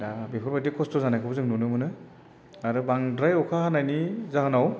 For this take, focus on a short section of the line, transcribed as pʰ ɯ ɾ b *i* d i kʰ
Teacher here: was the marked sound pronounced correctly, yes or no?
no